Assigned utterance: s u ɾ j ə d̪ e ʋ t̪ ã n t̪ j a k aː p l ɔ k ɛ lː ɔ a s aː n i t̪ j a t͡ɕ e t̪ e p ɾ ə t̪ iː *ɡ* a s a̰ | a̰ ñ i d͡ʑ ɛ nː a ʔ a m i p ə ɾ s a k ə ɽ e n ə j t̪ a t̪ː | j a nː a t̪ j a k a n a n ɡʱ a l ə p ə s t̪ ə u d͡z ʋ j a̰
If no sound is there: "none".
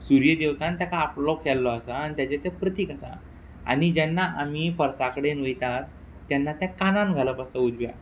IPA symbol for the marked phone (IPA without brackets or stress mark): k